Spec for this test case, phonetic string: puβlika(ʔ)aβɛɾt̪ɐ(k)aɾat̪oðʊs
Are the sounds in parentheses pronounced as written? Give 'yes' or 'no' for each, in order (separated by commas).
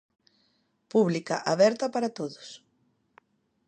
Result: yes, no